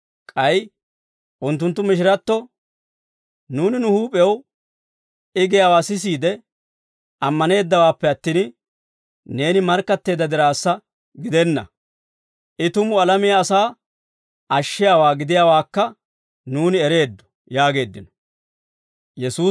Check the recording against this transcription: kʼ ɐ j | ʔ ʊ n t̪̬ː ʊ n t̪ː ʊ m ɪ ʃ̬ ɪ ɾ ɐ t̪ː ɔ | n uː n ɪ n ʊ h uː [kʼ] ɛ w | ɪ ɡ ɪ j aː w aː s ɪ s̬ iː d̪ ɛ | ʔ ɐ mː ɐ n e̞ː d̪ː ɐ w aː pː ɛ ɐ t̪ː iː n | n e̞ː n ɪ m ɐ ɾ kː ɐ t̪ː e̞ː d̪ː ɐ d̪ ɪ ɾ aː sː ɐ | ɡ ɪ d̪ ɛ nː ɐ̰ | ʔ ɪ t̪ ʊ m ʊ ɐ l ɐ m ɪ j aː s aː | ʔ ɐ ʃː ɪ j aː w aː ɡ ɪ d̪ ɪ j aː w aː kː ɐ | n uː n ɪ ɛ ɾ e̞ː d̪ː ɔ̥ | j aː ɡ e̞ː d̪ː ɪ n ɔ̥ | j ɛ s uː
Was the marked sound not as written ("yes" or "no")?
yes